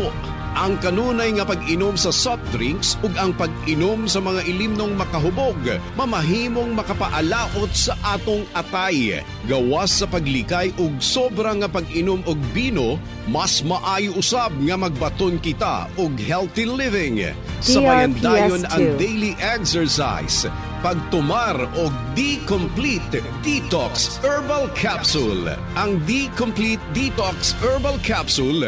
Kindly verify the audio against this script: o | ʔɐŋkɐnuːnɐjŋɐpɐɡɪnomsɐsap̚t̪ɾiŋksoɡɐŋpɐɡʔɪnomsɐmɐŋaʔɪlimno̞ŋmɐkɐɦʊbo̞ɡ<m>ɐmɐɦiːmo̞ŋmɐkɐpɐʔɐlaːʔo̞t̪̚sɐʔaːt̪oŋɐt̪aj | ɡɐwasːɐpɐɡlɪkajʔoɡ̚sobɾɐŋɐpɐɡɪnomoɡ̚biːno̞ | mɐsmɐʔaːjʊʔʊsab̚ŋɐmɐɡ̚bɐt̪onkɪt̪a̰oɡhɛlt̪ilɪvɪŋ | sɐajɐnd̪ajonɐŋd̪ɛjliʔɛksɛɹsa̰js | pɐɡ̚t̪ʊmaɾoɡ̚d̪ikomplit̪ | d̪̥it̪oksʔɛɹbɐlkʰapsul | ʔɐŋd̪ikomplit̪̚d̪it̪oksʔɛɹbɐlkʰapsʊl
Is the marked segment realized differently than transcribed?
no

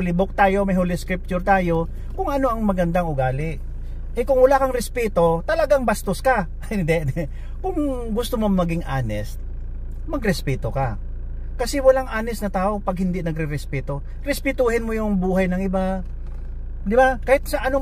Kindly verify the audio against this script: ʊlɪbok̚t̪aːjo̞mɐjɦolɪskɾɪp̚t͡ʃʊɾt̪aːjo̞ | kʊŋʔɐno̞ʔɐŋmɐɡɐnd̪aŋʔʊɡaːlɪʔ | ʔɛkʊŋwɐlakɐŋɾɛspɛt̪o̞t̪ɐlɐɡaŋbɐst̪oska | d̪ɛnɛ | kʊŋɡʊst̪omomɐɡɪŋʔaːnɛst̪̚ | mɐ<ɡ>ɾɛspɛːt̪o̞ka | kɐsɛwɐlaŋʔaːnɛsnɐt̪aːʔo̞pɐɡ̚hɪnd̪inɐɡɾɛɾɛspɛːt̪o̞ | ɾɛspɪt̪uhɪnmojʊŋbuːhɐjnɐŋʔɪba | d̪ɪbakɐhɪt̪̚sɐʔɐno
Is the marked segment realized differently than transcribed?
no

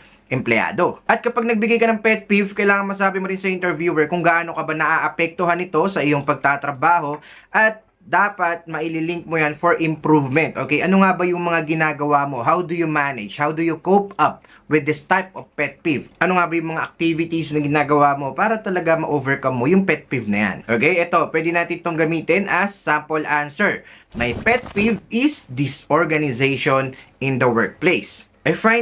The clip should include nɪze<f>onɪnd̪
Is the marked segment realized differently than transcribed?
yes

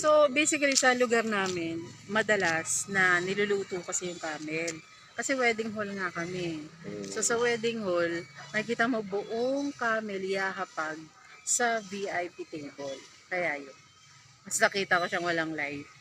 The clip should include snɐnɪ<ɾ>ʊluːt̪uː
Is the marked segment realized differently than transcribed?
yes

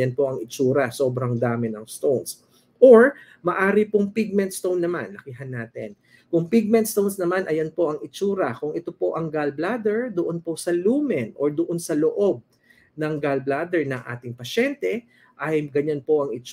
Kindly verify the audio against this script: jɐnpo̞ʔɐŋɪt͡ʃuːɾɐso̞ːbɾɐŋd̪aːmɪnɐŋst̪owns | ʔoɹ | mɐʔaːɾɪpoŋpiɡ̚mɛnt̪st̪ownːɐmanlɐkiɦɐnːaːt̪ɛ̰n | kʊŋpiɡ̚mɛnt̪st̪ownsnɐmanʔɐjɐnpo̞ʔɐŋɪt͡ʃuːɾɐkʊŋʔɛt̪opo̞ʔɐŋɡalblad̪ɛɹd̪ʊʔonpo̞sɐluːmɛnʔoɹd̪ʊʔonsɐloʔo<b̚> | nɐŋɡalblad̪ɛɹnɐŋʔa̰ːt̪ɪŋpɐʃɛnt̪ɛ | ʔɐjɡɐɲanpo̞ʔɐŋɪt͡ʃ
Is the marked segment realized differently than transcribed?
no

